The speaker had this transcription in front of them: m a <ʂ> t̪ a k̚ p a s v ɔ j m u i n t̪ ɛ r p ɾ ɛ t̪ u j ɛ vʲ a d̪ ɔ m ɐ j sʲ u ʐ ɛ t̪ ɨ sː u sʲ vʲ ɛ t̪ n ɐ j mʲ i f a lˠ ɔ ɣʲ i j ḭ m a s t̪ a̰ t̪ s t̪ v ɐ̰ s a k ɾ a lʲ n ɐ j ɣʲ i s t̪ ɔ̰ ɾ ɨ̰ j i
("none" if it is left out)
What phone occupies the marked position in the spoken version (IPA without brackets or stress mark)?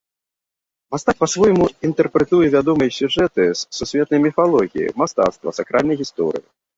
s